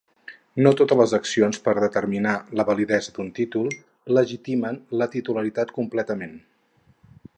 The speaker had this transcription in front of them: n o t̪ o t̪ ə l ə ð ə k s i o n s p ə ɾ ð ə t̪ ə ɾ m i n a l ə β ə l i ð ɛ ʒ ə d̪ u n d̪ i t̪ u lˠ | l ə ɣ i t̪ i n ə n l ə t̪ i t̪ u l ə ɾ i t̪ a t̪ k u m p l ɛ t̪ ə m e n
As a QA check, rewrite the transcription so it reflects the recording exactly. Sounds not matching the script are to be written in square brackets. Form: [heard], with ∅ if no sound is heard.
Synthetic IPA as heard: n o t̪ o t̪ ə l ə [z] ə k s i o n s p ə ɾ ð ə t̪ ə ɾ m i n a l ə β ə l i ð ɛ [z] ə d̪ u n [t̪] i t̪ u lˠ | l ə [ʒ] i t̪ i [m] ə n l ə t̪ i t̪ u l ə ɾ i t̪ a t̪ k u m p l ɛ t̪ ə m e n

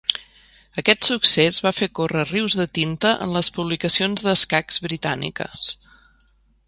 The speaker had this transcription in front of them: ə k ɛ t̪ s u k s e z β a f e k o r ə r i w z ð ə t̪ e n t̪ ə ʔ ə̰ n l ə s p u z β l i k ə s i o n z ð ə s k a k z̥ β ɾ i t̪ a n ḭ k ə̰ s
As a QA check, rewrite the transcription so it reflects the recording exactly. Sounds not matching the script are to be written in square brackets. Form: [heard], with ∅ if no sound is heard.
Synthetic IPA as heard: ə k ɛ t̪ s u k s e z β a f e k o r ə r i w z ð ə t̪ [i] n t̪ ə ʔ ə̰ n l ə s p u [∅] β l i k ə s i o n z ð ə s k a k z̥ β ɾ i t̪ a n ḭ k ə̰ s

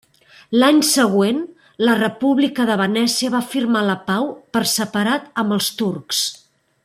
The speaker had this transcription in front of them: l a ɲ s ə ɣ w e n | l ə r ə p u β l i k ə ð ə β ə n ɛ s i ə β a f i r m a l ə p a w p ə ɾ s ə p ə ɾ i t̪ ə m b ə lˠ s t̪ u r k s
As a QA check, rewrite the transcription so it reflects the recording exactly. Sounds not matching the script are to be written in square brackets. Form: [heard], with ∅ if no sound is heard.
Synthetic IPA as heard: l a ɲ s ə ɣ w e n | l ə r ə p u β l i k ə ð ə β ə n ɛ s i ə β a f i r m a l ə p a w p ə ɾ s ə p ə ɾ [a] t̪ ə m b ə lˠ s t̪ u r k s

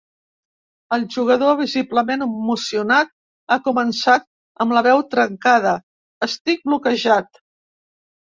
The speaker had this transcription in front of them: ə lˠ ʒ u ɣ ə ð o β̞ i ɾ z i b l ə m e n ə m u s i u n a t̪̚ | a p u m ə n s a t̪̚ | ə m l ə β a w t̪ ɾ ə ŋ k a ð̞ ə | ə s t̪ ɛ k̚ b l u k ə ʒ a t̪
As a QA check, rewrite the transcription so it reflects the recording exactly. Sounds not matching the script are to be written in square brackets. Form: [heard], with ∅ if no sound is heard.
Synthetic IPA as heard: ə lˠ ʒ u ɣ ə ð o β̞ i [∅] z i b l ə m e n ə m u s i u n a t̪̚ | a [k] u m ə n s a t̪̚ | ə m l ə β [ɛ] w t̪ ɾ ə ŋ k a ð̞ ə | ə s t̪ [i] k̚ b l u k ə ʒ a t̪

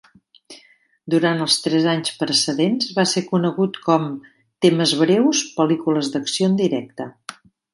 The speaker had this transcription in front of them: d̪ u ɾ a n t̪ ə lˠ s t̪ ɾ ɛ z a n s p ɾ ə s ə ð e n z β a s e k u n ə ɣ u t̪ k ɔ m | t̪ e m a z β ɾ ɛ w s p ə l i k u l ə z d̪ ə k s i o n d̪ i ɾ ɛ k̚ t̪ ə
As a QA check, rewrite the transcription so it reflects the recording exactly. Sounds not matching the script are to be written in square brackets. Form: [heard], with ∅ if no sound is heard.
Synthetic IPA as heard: d̪ u ɾ a n t̪ ə lˠ s t̪ ɾ ɛ z a [ɲ] s p ɾ ə s ə ð e n z β a s e k u n ə ɣ u t̪ k ɔ m | t̪ e m [ə] z β ɾ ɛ w s p ə l i k u l ə z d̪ ə k s i o n d̪ i ɾ ɛ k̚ t̪ ə

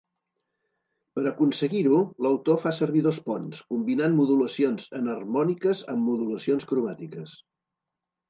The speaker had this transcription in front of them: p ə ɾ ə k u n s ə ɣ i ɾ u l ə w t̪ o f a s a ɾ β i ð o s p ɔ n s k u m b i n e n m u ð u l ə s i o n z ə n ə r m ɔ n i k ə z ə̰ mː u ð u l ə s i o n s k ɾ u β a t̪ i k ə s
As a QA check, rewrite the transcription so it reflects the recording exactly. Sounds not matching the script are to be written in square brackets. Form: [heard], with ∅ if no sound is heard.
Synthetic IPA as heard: p ə ɾ ə k u n s ə ɣ i ɾ u l ə w t̪ o f a s [ə] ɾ β i ð o s p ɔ n s k u m b i n [a] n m u ð u l ə s i o n z ə n ə r m ɔ n i k ə z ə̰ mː u ð u l ə s i o n s k ɾ u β a t̪ i k ə s

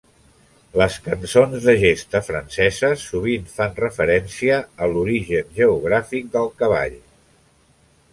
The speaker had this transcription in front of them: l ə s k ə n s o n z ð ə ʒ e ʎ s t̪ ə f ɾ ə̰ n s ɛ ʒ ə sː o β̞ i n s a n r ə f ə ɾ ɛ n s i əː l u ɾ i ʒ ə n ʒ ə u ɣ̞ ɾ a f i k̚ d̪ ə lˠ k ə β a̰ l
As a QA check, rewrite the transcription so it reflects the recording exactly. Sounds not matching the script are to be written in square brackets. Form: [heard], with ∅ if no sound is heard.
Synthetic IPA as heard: l ə s k ə n s o n z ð ə ʒ e [∅] s t̪ ə f ɾ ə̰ n s ɛ [z] ə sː [u] β̞ i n [f] a n r ə f ə ɾ ɛ n s i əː l u ɾ i ʒ ə n ʒ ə u ɣ̞ ɾ a f i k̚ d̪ ə lˠ k ə β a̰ [ʎ]

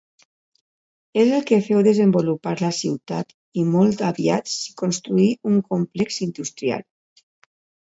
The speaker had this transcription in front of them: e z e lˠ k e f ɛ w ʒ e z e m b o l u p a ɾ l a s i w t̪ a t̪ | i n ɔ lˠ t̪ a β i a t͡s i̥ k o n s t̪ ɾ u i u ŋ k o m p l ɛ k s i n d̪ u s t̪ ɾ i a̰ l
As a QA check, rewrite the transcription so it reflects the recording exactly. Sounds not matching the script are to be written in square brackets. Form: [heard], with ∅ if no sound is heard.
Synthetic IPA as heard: e z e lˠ k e f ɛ w [ð] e z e m b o l u p a ɾ l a s i w t̪ a t̪ | i [m] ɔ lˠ t̪ a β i a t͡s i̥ k o n s t̪ ɾ u i u ŋ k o m p l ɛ k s i n d̪ u s t̪ ɾ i a̰ l

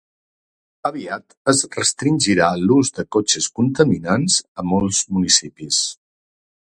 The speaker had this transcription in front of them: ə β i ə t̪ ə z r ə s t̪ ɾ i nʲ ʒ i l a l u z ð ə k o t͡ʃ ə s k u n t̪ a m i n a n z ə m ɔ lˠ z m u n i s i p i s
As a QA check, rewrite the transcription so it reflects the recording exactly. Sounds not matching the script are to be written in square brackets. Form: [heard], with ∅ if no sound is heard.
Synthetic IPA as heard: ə β i [a] t̪ ə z r ə s t̪ ɾ i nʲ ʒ i [ɾ] a l u z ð ə k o t͡ʃ ə s k u n t̪ [ə] m i n a n z ə m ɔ lˠ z m u n i s i p i s

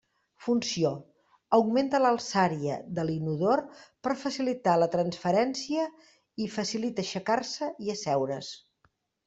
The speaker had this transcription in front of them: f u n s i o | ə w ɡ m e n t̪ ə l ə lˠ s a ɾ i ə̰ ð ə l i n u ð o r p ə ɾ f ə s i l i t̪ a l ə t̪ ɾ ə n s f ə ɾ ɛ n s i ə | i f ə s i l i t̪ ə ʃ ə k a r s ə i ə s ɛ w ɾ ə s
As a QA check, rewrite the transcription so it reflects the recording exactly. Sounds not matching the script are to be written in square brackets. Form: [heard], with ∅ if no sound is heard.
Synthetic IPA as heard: f u n s i o | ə w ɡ m e n t̪ ə l ə lˠ s a ɾ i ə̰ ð ə l i n u ð o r p ə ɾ f ə s i l i t̪ a l ə t̪ ɾ ə n s f ə ɾ ɛ n s i ə | i f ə s i l i t̪ ə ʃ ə k a r s ə i ə s ɛ w ɾ ə s

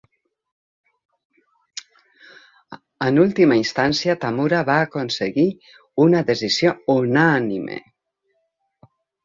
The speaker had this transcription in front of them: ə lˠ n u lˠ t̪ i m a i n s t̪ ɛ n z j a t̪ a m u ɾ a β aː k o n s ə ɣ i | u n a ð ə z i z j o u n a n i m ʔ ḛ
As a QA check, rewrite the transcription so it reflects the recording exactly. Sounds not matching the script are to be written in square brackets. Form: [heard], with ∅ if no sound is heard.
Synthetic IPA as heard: ə [∅] n u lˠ t̪ i m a i n s t̪ [a] n [s] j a t̪ a m u ɾ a β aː k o n s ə ɣ i | u n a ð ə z i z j o u n a n i m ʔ ḛ

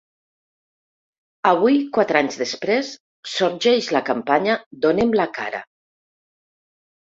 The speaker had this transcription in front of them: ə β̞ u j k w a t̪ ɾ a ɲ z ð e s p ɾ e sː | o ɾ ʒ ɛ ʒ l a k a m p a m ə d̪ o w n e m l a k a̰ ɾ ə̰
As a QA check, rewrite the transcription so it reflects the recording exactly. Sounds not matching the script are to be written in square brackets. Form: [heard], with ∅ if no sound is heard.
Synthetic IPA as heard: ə β̞ u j k w a t̪ ɾ a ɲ z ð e s p ɾ e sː | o ɾ ʒ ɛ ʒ l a k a m p a [ɲ] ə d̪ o [∅] n e m l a k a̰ ɾ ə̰

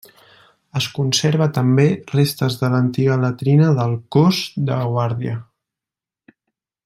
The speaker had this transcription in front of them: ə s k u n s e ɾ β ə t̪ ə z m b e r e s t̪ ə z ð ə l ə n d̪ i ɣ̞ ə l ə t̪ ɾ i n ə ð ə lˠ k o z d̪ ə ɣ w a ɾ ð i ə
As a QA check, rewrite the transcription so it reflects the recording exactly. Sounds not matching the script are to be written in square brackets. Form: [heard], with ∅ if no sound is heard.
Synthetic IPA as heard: ə s k u n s e ɾ β ə t̪ ə [∅] m b e r e s t̪ ə z ð ə l ə n [t̪] i ɣ̞ ə l ə t̪ ɾ i n ə ð ə lˠ k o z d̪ ə ɣ w a ɾ ð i ə

